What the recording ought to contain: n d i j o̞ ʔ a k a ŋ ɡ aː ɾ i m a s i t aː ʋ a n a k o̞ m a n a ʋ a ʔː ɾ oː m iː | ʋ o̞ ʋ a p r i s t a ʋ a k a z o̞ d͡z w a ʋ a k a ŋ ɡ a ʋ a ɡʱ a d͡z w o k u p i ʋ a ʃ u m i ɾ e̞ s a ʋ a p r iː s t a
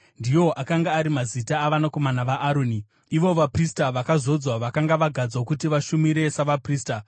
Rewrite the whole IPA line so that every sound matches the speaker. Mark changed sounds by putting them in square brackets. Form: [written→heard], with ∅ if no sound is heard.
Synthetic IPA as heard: n d i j o̞ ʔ a k a ŋ ɡ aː ɾ i m a [s→z] i t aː ʋ a n a k o̞ m a n a ʋ a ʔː ɾ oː [m→n] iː | ʋ o̞ ʋ a p r i s t a ʋ a k a z o̞ d͡z w a ʋ a k a ŋ ɡ a ʋ a ɡʱ a d͡z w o k u [p→t] i ʋ a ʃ u m i ɾ e̞ s a ʋ a p r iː s t a

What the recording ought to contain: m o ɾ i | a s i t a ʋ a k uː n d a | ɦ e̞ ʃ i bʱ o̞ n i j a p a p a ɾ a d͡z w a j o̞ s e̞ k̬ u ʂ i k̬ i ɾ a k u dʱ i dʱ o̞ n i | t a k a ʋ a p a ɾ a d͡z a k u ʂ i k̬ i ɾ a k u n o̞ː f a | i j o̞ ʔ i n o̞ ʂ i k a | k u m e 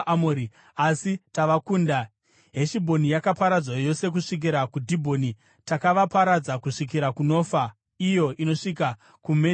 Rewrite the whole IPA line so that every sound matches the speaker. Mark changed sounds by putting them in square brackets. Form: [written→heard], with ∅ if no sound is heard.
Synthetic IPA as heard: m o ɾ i | a s i t a ʋ a k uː n d a | ɦ e̞ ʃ i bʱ o̞ n i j a [p→k] a p a ɾ a d͡z w a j o̞ s e̞ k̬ u ʂ i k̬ i ɾ a k u dʱ i [dʱ→bʱ] o̞ n i | t a k a ʋ a p a ɾ a d͡z a k u ʂ i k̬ i ɾ a k u n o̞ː f a | i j o̞ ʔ i n o̞ ʂ i k a | k u m e

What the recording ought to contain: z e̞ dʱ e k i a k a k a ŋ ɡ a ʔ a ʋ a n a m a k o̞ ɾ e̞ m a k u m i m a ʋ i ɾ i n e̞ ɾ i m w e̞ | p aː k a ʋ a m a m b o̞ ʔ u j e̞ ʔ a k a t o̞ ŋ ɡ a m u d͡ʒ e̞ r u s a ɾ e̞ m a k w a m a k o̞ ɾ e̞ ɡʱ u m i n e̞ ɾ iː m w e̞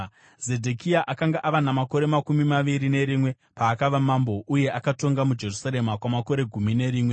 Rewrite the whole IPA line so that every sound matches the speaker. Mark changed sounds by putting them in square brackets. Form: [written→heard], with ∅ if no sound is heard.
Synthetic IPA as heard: z e̞ dʱ e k i a [k→ʔ] a k a ŋ ɡ a ʔ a ʋ a n a m a k o̞ ɾ e̞ m a k u m i m a ʋ i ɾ i n e̞ ɾ i m w e̞ | p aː k a ʋ a m a m b o̞ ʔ u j e̞ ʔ a k a t o̞ ŋ ɡ a m u d͡ʒ e̞ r u s a ɾ e̞ m a k w a m a k o̞ ɾ e̞ ɡʱ u m i n e̞ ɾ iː m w e̞

